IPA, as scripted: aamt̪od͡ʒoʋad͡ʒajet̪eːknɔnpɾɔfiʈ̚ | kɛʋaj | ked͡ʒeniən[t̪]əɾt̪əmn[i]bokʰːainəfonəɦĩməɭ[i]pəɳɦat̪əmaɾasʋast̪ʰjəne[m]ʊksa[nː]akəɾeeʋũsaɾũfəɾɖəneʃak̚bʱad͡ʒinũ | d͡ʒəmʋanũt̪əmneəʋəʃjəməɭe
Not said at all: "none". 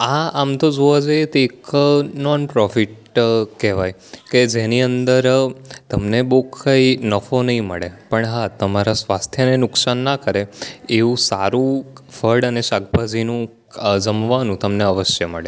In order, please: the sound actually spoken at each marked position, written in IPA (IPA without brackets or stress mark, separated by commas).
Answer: d̪, e, e, n, nː